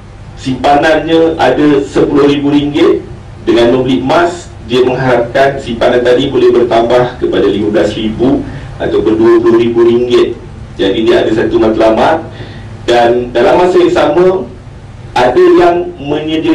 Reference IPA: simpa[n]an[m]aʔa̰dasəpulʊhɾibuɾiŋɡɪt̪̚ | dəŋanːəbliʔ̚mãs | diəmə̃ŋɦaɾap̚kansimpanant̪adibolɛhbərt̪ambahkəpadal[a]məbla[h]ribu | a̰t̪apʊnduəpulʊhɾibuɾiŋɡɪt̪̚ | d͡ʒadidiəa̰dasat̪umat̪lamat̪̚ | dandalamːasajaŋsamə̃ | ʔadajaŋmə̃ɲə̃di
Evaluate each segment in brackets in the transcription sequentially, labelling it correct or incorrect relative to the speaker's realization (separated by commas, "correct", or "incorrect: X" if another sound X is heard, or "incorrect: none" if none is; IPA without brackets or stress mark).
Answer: correct, incorrect: ɲ, incorrect: i, incorrect: s